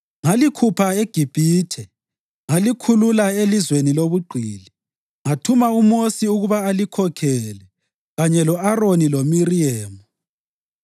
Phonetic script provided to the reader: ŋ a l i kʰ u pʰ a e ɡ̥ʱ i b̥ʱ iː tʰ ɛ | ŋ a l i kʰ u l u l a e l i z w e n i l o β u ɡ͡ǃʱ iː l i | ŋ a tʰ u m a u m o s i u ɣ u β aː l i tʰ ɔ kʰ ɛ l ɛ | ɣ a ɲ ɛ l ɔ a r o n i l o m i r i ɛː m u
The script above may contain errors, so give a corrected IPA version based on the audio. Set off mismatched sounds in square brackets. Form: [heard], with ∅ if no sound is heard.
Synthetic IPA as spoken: ŋ a l i kʰ u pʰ a e ɡ̥ʱ i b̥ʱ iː tʰ ɛ | ŋ a l i kʰ u l u l a e l i z w e n i l o β u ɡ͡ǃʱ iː l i | ŋ a tʰ u m a u m o s i u ɣ u β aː l i [kʰ] ɔ kʰ ɛ l ɛ | ɣ a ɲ ɛ l ɔ a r o n i l o m i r i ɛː m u